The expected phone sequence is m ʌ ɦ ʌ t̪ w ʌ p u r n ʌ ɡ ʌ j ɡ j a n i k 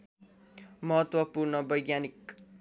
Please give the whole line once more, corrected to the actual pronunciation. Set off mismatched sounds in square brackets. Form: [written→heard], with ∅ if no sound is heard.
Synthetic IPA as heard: m ʌ ɦ ʌ t̪ w ʌ p u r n ʌ [ɡ→b] ʌ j ɡ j a n i k